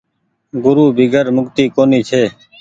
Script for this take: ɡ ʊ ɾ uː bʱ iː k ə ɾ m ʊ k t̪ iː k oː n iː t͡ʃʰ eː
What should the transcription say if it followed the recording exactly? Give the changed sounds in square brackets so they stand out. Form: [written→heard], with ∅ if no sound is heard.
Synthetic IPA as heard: ɡ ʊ ɾ uː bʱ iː [k→ɡ] ə ɾ m ʊ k t̪ iː k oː n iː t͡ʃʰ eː